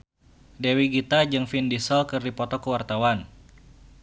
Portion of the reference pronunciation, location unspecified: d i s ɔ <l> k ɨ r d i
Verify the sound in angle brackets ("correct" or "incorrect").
correct